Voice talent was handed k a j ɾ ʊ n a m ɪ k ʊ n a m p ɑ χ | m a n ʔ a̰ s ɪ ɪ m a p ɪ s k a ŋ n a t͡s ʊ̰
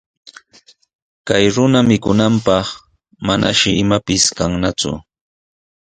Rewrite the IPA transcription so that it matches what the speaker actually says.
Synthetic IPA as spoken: k a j ɾ ʊ n a m ɪ k ʊ n a m p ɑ χ | m a n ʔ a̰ ʃ ɪ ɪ m a p ɪ s k a ŋ n a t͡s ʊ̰